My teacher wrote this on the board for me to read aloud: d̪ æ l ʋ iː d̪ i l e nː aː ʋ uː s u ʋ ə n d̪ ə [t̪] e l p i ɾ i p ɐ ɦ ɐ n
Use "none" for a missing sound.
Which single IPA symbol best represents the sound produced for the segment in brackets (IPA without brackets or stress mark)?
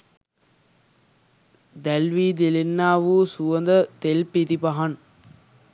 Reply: t̪